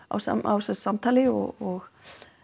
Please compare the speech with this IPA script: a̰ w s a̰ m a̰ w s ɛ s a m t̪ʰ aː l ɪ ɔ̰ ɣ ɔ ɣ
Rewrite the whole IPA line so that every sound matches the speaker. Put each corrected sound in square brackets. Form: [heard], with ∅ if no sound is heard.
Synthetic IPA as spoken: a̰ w s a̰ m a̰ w s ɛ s a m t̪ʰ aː l ɪ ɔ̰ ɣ ɔ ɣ